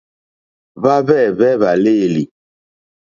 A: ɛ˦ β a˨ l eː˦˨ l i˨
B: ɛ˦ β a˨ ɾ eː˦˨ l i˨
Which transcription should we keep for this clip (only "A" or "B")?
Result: A